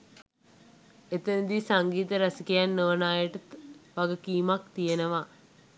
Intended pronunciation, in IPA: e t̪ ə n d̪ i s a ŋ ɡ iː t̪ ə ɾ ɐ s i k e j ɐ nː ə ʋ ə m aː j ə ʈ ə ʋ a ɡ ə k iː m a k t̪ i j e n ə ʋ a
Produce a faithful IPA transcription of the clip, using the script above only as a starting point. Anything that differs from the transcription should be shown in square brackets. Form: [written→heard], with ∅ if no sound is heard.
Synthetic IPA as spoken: e t̪ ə n d̪ i s a ŋ ɡ iː t̪ ə ɾ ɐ s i k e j [ɐ→a] nː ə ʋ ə [m→n] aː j ə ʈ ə ʋ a ɡ ə k iː m a k t̪ i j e n ə ʋ a